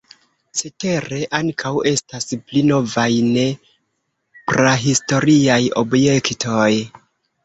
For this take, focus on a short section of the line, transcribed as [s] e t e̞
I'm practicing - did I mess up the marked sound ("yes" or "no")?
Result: no